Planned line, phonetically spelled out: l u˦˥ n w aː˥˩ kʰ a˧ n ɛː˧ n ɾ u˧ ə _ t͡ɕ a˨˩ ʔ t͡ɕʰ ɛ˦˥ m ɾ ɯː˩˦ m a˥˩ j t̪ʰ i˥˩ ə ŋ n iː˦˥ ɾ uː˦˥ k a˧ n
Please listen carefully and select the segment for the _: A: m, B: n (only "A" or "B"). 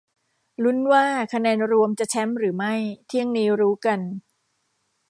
A